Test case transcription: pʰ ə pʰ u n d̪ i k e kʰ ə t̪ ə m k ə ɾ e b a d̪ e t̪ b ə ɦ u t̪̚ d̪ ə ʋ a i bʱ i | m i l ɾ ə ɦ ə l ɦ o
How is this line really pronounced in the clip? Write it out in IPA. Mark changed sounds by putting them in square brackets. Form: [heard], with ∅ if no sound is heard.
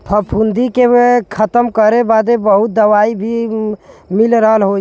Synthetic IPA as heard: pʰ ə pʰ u n d̪ i k e kʰ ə t̪ ə m k ə ɾ e b a d̪ e [∅] b ə ɦ u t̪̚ d̪ ə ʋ a i bʱ i | m i l ɾ ə ɦ ə l ɦ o